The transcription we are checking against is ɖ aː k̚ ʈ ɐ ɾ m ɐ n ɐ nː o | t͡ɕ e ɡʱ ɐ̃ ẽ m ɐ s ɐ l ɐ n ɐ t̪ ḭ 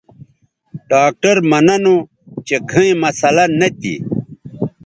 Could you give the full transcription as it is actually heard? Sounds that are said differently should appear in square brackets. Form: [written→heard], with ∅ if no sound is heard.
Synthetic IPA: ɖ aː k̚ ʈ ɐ ɾ m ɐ n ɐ [nː→n] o | t͡ɕ e ɡʱ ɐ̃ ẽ m ɐ s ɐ l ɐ n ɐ t̪ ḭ